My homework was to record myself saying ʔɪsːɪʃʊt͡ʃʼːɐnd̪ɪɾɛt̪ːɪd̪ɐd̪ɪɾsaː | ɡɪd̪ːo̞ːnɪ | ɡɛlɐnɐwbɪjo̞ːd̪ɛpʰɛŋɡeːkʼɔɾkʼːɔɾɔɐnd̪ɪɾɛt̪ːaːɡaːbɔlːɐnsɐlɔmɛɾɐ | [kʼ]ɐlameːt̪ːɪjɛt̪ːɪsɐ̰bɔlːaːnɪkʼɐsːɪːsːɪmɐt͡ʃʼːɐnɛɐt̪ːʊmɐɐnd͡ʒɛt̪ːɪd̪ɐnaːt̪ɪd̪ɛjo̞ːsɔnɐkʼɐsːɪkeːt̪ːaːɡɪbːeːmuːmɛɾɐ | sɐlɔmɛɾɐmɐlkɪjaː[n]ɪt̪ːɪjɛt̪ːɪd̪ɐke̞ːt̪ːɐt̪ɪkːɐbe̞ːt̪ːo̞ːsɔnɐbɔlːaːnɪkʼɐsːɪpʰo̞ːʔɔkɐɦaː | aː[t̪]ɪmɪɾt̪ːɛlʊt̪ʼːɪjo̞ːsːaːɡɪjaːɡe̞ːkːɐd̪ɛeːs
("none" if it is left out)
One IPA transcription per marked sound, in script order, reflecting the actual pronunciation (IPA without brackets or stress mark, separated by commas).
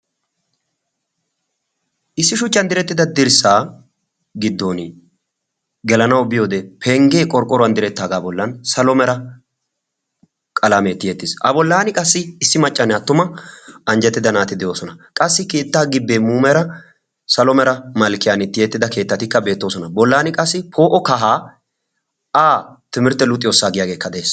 kʼ, n, t̪